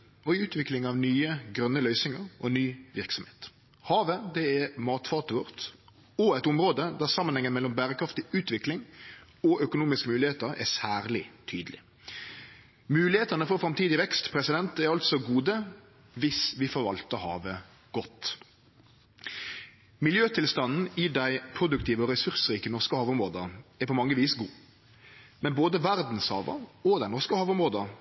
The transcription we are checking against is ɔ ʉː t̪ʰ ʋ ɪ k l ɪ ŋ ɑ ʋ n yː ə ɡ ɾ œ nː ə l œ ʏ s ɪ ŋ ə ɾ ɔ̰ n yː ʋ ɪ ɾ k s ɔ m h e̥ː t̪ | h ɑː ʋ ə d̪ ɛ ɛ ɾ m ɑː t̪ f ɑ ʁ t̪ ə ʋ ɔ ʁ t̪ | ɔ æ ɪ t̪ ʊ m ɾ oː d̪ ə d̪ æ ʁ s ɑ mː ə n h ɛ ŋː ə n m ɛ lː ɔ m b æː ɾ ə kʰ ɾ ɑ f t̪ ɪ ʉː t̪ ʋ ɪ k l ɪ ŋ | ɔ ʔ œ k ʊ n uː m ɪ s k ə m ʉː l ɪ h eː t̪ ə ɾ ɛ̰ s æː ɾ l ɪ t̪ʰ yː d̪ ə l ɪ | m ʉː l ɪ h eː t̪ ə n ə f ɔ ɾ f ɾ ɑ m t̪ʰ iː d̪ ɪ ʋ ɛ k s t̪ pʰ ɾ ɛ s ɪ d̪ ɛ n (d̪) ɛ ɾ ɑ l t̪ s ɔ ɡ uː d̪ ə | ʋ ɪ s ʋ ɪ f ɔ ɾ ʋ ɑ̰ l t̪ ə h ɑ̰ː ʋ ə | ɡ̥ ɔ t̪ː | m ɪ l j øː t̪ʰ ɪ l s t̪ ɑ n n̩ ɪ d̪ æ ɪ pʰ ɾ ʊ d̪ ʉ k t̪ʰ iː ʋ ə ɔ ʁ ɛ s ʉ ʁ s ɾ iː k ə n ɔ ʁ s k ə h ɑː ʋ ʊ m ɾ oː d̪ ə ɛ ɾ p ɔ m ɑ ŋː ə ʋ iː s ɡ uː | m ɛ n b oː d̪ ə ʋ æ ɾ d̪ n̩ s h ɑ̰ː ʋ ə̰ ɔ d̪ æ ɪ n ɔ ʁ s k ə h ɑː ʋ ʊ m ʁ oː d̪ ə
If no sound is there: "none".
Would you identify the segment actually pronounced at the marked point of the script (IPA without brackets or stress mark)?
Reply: t̪